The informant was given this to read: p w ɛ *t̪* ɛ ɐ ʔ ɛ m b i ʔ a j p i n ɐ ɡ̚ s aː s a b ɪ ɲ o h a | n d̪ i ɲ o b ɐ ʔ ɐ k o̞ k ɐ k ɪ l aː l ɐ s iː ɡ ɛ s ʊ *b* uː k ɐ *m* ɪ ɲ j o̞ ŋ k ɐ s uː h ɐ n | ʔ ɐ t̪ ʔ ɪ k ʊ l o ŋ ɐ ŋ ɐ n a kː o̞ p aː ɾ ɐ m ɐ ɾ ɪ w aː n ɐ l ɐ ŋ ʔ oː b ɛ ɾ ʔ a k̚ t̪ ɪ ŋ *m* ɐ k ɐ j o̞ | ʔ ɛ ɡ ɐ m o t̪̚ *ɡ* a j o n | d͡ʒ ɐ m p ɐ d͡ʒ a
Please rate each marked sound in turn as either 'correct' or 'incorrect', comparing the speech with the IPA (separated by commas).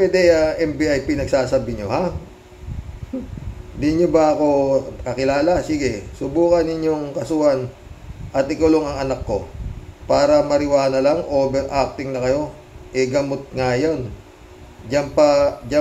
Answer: incorrect, correct, incorrect, incorrect, incorrect